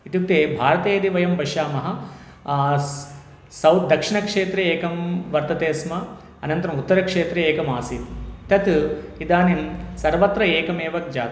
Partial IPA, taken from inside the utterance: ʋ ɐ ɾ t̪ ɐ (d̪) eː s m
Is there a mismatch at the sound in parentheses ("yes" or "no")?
yes